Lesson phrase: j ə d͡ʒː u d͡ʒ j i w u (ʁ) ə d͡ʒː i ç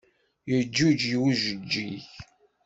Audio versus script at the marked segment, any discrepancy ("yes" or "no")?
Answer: yes